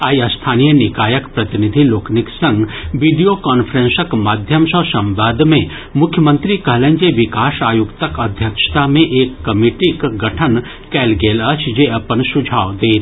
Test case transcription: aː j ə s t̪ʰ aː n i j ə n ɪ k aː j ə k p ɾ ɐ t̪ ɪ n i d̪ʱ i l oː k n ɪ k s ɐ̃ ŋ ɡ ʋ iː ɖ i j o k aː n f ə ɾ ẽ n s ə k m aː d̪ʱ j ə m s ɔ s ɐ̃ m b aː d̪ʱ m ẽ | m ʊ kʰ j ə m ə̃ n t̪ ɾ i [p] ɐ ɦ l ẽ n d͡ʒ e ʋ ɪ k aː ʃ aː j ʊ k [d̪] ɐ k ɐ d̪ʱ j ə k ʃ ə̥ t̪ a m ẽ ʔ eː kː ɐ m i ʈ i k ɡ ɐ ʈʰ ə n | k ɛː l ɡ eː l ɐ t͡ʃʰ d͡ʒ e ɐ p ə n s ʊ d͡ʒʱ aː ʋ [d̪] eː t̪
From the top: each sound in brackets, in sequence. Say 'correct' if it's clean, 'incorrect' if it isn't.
incorrect: k, incorrect: t̪, correct

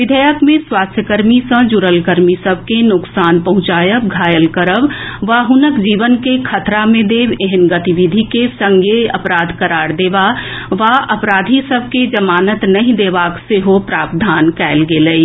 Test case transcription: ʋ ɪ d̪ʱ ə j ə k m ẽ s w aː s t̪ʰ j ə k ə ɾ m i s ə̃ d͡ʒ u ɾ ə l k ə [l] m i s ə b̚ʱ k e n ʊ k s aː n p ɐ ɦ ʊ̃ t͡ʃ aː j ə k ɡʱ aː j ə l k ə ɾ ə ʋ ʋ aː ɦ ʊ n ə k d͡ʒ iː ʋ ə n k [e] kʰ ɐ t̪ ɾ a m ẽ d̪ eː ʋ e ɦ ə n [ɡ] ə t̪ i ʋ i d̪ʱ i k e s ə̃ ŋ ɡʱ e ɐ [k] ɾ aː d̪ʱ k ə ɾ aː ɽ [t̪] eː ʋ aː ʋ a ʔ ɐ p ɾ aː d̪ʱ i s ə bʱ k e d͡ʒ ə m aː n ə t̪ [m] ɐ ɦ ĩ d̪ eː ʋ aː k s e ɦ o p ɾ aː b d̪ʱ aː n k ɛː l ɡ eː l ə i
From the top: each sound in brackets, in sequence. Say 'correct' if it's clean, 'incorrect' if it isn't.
incorrect: ɾ, correct, correct, incorrect: p, incorrect: d̪, incorrect: n

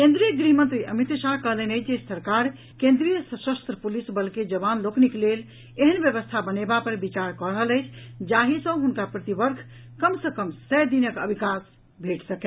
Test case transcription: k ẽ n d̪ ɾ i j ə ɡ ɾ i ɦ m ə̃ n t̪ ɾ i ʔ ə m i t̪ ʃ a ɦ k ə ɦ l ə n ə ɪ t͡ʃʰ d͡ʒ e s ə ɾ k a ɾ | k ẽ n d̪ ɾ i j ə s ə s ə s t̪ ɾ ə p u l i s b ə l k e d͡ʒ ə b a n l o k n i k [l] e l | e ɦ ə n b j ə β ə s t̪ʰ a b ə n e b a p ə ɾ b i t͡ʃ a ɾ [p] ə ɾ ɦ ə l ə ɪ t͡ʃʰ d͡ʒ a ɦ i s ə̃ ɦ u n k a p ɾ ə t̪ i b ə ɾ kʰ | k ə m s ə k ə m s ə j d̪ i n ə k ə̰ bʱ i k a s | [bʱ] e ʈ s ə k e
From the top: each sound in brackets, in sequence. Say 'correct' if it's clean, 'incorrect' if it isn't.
correct, incorrect: k, correct

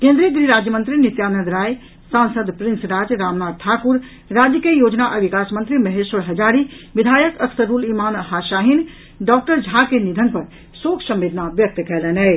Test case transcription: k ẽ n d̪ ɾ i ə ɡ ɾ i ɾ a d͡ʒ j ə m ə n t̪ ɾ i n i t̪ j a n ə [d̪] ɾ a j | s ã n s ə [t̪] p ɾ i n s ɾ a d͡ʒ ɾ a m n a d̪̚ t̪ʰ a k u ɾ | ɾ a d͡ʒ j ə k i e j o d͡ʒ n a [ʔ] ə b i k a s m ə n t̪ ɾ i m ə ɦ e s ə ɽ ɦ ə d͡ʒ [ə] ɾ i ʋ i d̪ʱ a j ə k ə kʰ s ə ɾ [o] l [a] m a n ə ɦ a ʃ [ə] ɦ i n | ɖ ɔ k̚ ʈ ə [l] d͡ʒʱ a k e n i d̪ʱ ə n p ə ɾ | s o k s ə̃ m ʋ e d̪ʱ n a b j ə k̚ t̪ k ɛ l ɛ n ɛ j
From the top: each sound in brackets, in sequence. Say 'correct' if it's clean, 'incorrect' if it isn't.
correct, incorrect: d̪, correct, incorrect: a, incorrect: u, incorrect: i, incorrect: a, incorrect: ɾ

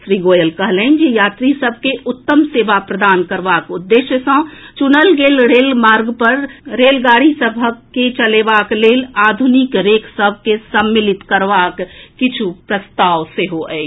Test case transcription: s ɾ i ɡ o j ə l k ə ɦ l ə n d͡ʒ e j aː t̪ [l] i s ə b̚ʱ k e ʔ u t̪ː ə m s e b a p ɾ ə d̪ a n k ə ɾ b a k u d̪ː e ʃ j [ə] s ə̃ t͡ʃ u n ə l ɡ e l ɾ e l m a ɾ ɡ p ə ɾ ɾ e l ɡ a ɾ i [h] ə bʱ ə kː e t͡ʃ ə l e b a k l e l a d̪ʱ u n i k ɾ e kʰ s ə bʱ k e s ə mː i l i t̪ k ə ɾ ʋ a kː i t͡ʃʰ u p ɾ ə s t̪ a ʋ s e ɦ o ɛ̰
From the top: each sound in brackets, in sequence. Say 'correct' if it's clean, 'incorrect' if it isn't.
incorrect: ɾ, correct, incorrect: s

